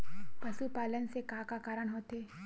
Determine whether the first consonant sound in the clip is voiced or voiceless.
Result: voiceless